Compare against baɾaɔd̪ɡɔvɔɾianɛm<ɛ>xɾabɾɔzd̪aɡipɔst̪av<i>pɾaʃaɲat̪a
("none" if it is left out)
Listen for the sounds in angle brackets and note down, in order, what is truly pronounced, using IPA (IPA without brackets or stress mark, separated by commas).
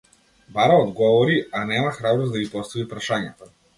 a, i